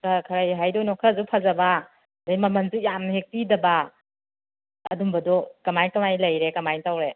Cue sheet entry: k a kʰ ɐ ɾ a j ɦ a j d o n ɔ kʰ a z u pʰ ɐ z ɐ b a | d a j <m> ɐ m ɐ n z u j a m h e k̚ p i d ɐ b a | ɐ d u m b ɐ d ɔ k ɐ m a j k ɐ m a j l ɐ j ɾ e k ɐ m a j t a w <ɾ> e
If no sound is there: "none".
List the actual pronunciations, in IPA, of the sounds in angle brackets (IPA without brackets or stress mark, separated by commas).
m, ɾ